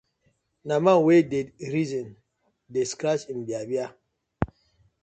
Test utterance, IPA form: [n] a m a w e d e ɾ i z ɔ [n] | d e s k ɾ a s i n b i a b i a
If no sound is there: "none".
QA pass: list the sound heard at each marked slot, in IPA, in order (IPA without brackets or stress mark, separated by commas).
n, n